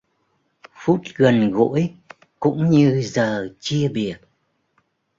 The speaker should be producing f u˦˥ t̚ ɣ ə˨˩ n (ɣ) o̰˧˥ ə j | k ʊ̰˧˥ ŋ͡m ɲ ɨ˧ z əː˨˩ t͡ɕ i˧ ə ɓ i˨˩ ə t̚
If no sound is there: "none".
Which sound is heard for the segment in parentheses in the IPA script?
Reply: ɣ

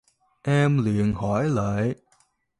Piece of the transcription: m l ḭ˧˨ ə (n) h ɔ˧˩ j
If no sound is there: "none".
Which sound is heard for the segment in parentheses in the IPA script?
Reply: n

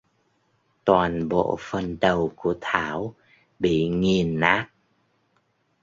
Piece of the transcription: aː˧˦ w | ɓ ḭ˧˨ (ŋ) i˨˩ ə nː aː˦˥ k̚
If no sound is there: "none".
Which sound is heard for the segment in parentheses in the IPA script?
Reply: ŋ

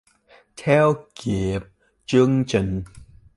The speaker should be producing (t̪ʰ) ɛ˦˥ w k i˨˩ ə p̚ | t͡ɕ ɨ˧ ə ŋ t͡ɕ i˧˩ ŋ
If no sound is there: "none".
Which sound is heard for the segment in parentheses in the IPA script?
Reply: t̪ʰ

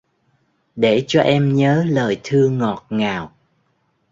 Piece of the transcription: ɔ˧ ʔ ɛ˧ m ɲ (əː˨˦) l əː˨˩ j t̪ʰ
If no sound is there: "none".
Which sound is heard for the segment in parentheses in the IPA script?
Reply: əː˨˦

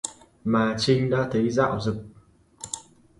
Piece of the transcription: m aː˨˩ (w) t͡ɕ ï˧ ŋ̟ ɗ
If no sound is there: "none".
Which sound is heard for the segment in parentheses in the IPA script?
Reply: none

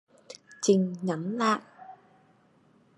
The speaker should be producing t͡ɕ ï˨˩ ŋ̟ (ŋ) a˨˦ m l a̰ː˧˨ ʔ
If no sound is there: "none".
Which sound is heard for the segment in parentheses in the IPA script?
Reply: ɲ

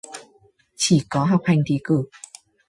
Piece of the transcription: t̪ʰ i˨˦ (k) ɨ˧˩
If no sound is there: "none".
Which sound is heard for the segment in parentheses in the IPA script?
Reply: k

